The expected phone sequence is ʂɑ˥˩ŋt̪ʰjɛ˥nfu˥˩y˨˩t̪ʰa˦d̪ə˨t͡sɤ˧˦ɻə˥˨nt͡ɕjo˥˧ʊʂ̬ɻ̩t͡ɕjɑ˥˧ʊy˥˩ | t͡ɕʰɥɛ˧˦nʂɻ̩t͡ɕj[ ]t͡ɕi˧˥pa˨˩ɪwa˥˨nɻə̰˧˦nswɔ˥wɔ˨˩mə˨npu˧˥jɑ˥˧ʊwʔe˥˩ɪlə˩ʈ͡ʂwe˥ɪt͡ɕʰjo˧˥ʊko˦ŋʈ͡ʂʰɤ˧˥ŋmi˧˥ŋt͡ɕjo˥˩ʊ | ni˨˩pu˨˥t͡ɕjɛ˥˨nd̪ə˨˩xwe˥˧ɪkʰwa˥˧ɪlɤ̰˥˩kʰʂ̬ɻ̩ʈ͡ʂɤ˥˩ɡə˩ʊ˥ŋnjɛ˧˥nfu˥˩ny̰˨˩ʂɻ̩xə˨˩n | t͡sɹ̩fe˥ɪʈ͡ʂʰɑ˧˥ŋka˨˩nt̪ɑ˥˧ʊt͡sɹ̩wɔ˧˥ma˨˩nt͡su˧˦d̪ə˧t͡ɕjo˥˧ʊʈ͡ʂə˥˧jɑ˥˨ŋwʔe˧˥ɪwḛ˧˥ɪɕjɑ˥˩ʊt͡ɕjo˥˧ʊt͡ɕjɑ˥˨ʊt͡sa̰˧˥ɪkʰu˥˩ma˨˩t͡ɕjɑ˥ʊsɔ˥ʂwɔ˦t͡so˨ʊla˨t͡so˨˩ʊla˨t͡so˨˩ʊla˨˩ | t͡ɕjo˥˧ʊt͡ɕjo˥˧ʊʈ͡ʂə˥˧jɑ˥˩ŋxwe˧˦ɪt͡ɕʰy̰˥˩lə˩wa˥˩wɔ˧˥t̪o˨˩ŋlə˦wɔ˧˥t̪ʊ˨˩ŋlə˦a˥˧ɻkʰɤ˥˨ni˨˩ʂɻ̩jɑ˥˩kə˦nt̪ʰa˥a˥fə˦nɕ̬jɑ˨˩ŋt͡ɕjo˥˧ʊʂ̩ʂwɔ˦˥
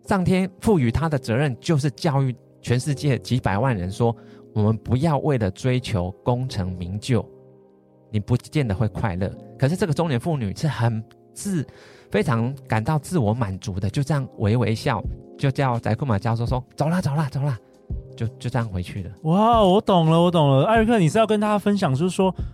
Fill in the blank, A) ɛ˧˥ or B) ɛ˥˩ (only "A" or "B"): B